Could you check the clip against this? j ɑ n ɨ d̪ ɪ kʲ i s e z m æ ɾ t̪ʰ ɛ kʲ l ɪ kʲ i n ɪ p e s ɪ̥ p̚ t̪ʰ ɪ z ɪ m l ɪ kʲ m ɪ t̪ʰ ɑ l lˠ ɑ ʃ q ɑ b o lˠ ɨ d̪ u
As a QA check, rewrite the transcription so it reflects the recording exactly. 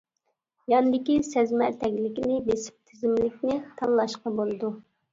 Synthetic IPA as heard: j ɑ n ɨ d̪ ɪ kʲ i s ɛ z m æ ɾ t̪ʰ ɛ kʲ l ɪ kʲ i n ɪ b e s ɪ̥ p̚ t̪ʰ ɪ z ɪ m l ɪ kʲ n ɪ t̪ʰ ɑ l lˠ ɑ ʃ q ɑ b o lˠ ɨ d̪ u

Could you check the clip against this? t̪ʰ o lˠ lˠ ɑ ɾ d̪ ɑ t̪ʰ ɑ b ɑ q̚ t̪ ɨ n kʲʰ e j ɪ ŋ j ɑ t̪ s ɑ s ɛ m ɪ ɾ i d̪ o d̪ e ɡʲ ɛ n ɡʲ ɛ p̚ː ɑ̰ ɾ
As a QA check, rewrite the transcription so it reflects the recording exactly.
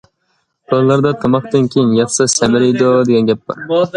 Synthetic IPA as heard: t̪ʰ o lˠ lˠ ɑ ɾ d̪ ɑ t̪ʰ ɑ m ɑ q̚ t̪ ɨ n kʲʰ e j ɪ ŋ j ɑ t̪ s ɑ s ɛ m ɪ ɾ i d̪ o d̪ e ɡʲ ɛ n ɡʲ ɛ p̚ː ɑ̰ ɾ

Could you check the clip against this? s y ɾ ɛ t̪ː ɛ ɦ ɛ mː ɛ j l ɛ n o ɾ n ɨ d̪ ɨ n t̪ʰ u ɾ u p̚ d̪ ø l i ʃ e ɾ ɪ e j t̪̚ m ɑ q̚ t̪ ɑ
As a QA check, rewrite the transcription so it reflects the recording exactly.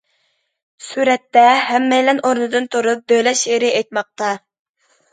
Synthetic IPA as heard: s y ɾ ɛ t̪ː ɛ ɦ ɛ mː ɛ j l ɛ n o ɾ n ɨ d̪ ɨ n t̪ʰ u ɾ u p̚ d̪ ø l ɛ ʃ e ɾ ɪ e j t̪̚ m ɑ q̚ t̪ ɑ

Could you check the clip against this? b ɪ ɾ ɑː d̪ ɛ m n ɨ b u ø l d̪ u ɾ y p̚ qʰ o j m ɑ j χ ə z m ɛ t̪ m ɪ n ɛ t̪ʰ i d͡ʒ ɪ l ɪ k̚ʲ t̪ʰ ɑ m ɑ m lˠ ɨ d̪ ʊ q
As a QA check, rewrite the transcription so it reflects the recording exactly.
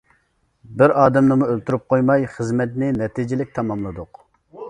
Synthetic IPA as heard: b ɪ ɾ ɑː d̪ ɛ m n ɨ m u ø l t̪ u ɾ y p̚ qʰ o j m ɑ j χ ə z m ɛ t̪ n ɪ n ɛ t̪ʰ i d͡ʒ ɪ l ɪ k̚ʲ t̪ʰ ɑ m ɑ m lˠ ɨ d̪ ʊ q

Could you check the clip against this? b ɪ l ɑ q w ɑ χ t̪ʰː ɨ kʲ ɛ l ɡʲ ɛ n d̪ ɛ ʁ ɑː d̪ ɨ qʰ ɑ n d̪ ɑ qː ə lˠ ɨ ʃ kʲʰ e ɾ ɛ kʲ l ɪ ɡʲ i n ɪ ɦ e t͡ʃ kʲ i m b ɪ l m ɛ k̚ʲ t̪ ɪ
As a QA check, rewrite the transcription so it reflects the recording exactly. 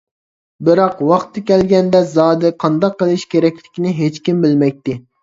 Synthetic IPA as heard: b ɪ ɾ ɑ q w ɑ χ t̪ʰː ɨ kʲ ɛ l ɡʲ ɛ n d̪ ɛ z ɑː d̪ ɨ qʰ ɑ n d̪ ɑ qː ə lˠ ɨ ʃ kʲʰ e ɾ ɛ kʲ l ɪ kʲ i n ɪ ɦ e t͡ʃ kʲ i m b ɪ l m ɛ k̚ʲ t̪ ɪ

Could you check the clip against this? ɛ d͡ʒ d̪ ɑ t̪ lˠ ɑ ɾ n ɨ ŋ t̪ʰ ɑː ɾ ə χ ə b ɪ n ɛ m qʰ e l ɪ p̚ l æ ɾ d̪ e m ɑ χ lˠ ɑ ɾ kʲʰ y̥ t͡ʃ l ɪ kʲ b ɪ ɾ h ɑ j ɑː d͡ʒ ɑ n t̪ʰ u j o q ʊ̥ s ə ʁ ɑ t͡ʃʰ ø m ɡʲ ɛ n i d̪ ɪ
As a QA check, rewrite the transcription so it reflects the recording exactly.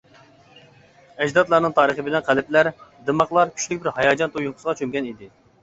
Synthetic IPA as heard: ɛ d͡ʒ d̪ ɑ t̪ lˠ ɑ ɾ n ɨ ŋ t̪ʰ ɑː ɾ ə χ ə b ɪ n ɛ n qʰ æ l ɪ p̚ l æ ɾ d̪ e m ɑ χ lˠ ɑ ɾ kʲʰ y̥ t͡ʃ l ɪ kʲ b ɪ ɾ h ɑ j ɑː d͡ʒ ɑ n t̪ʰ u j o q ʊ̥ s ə ʁ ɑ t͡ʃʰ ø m ɡʲ ɛ n i d̪ ɪ

